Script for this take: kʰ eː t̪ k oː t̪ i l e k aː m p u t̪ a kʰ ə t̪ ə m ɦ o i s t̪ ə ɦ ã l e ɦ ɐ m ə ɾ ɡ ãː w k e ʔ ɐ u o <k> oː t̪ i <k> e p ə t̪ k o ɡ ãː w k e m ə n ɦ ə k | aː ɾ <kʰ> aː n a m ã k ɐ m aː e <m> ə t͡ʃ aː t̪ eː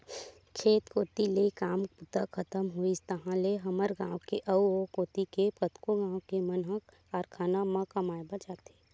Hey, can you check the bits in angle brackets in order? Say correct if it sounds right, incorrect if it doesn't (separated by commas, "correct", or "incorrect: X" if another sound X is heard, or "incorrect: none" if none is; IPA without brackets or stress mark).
correct, correct, correct, incorrect: b